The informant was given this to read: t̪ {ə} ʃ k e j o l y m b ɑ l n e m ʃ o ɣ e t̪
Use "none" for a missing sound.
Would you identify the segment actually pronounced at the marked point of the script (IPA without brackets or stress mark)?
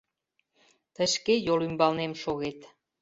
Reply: ə